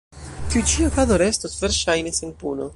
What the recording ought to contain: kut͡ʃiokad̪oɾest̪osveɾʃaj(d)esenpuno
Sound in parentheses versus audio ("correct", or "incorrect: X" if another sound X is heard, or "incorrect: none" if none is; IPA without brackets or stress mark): incorrect: n